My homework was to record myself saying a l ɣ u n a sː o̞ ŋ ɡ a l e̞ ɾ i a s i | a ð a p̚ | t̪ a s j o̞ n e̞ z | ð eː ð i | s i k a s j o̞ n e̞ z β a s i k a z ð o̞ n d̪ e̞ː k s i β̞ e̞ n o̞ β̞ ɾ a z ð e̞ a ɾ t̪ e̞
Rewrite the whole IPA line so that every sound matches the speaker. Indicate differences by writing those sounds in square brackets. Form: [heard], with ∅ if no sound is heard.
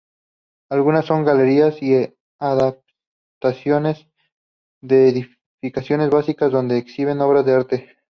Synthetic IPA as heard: a l ɣ u n a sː o̞ ŋ ɡ a l e̞ ɾ i a s i | a ð a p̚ | t̪ a s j o̞ n e̞ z | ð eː ð i | [f] i k a s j o̞ n e̞ z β a s i k a z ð o̞ n d̪ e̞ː k s i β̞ e̞ n o̞ β̞ ɾ a z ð e̞ a ɾ t̪ e̞